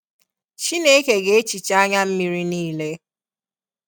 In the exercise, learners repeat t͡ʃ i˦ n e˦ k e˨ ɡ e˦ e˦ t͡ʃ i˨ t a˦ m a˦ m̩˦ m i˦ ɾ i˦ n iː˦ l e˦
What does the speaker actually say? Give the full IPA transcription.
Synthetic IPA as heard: t͡ʃ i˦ n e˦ k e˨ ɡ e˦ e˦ t͡ʃ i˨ t͡ʃ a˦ ɲ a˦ m̩˦ m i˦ ɾ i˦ n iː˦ l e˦